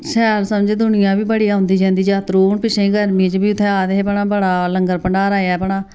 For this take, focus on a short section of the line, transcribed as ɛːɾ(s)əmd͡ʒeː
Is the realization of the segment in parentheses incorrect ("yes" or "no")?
no